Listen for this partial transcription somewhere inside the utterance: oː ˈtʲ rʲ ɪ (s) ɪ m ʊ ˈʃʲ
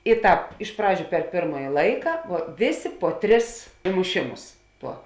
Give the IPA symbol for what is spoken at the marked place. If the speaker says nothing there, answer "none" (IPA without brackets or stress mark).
s